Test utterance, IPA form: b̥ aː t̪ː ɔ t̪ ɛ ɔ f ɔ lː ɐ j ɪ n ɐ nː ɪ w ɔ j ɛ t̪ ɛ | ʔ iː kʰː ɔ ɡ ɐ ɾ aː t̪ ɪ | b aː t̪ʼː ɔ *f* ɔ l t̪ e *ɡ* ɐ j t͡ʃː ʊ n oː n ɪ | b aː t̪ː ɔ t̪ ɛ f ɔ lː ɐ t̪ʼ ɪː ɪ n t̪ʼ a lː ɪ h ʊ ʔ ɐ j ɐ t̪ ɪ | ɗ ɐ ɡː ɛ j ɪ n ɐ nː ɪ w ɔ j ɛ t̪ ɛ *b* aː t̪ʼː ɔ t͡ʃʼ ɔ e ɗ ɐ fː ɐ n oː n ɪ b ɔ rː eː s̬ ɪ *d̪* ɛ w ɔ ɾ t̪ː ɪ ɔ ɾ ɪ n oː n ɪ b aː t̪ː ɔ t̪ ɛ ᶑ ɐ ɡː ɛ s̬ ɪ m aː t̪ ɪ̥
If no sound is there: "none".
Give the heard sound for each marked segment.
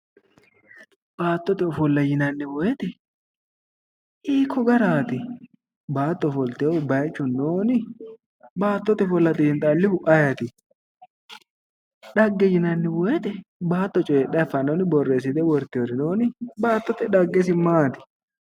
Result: f, b, b, d̪

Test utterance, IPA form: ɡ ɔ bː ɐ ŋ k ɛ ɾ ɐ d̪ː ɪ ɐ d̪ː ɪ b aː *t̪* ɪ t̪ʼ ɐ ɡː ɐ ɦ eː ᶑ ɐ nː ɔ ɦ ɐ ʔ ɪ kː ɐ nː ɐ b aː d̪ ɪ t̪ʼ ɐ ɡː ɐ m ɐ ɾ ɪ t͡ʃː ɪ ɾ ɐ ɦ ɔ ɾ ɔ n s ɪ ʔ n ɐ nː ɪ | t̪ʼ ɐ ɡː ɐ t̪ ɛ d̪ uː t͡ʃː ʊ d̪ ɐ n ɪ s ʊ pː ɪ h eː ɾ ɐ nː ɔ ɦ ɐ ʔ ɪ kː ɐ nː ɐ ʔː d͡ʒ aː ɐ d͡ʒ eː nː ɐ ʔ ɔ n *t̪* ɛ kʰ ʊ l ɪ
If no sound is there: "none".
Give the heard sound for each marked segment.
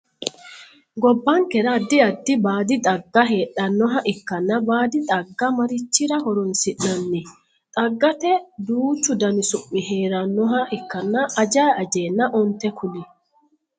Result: d̪, t̪

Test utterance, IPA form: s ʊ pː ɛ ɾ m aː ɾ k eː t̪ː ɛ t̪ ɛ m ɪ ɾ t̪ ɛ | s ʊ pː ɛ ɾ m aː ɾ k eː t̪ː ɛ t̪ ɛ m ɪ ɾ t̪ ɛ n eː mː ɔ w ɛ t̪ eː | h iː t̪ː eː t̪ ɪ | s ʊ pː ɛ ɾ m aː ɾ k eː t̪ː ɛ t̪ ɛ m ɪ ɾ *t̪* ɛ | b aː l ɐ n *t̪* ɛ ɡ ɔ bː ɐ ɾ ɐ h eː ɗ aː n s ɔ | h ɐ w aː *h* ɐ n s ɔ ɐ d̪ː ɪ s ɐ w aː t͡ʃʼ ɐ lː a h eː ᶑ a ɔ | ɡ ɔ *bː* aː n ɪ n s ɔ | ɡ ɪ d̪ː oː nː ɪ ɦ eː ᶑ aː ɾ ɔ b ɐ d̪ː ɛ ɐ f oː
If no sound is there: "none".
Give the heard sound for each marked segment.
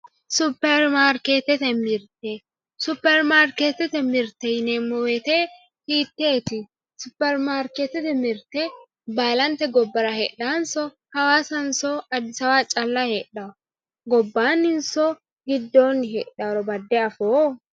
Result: t̪, t̪, s, bː

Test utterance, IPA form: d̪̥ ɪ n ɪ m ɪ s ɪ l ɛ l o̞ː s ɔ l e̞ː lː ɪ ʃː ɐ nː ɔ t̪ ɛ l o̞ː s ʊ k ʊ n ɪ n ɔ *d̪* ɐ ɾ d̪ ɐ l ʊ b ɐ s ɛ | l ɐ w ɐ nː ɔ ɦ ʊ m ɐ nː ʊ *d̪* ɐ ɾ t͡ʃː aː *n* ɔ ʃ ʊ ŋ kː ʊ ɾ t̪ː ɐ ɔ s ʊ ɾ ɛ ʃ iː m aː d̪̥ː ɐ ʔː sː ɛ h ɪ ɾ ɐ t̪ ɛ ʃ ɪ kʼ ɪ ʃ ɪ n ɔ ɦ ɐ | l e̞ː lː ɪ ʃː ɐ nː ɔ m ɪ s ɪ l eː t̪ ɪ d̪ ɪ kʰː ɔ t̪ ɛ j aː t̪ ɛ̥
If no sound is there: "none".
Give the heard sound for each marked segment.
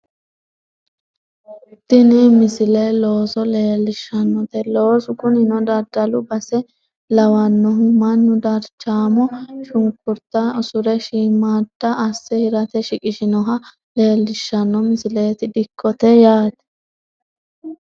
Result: d̪, d̪, m

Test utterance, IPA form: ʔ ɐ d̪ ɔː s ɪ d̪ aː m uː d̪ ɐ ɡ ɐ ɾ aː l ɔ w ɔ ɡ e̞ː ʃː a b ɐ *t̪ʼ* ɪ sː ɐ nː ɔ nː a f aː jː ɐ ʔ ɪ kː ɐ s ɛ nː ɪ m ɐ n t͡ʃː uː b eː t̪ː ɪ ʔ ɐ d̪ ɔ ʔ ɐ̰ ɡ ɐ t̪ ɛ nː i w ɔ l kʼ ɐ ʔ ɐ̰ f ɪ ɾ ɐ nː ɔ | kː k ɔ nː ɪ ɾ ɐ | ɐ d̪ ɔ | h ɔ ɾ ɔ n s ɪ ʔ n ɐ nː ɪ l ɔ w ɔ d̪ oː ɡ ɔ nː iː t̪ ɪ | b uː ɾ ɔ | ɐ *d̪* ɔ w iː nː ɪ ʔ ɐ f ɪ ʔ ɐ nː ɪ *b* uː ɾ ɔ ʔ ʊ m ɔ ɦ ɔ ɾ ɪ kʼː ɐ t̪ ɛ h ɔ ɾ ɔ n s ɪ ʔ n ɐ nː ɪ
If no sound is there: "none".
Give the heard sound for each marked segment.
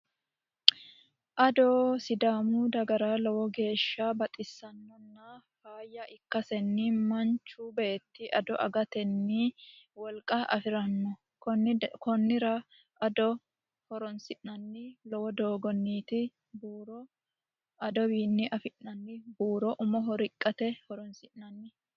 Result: t̪ʼ, d̪, b

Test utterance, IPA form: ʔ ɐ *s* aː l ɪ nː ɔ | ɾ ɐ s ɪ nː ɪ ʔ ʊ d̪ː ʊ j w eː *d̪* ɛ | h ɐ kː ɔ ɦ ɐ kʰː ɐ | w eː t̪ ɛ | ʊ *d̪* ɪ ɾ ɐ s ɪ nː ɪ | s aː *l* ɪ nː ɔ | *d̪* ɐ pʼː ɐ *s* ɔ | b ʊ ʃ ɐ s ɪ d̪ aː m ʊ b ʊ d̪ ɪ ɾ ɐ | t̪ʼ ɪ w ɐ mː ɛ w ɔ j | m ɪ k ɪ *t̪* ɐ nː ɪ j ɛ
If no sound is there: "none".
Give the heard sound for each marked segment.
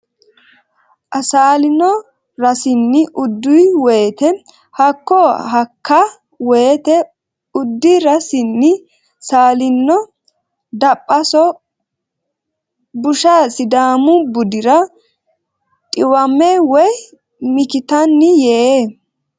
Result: s, t̪, d̪ː, l, d̪, s, t̪

